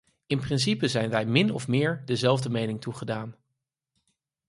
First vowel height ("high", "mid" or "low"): high